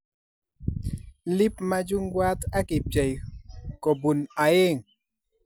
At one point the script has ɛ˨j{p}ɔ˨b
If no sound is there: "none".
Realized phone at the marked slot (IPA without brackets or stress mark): k